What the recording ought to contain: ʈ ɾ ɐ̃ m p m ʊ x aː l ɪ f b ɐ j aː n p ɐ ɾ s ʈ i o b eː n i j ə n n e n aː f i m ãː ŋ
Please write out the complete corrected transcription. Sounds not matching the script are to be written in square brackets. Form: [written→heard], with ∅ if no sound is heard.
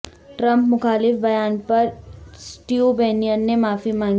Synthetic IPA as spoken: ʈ ɾ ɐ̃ m p m ʊ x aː l ɪ f b ɐ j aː n p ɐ ɾ s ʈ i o b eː n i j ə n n e [n→m] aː f i m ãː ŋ